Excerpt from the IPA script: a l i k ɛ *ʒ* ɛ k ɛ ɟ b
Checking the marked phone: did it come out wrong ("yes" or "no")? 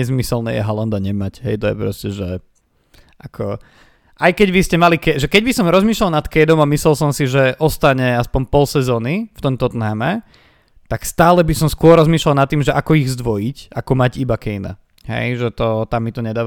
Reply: no